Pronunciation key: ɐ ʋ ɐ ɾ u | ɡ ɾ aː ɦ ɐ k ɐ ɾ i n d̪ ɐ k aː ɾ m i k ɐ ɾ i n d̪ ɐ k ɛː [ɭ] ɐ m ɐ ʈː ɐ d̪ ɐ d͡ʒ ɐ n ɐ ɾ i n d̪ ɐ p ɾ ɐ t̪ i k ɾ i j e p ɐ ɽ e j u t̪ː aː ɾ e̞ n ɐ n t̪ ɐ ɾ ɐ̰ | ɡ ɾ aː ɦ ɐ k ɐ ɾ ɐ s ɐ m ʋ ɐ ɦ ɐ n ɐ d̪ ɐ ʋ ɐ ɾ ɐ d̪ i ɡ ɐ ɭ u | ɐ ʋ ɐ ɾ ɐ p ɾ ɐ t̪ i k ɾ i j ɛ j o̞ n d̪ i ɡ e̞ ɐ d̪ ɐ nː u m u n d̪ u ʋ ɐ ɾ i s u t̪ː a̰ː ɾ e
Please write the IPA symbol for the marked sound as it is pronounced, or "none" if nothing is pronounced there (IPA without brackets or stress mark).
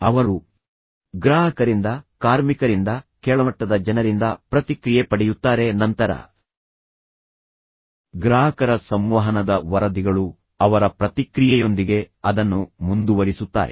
ɭ